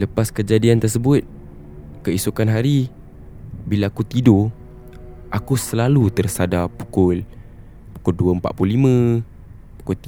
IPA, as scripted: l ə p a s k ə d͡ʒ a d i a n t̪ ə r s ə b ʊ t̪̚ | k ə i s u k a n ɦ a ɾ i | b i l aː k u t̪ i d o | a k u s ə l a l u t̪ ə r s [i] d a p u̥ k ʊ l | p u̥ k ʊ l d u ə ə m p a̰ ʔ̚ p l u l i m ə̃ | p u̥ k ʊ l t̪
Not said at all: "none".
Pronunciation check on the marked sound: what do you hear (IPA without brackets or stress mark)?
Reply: a